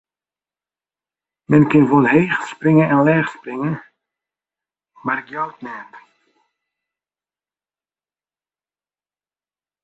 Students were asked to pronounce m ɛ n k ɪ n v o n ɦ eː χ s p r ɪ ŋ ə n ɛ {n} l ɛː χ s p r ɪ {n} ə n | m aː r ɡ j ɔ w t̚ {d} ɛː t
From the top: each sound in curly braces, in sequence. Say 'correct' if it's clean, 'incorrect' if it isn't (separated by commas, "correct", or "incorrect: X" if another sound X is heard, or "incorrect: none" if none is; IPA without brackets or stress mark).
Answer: correct, incorrect: ŋ, incorrect: n